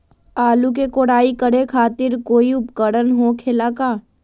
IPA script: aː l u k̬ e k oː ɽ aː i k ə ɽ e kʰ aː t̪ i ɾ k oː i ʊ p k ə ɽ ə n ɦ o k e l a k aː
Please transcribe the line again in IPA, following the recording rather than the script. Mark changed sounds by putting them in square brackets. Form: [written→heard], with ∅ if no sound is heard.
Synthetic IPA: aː l u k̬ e k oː ɽ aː i k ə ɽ e kʰ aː t̪ [i→ɪ] ɾ k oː i ʊ p k ə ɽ ə n ɦ o [k→kʰ] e l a k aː